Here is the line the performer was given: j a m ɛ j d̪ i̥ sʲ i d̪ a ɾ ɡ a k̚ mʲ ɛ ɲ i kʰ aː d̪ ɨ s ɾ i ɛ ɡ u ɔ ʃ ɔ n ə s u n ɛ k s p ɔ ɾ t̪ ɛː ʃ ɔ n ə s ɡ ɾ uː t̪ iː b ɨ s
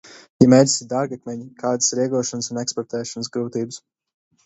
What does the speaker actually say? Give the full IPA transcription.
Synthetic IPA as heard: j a m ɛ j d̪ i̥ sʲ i d̪ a ɾ ɡ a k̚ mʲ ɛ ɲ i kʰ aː d̪ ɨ s ɾ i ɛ ɡ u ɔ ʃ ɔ n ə s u n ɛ k s p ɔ ɾ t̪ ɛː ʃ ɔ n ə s ɡ ɾ uː t̪ iː b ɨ s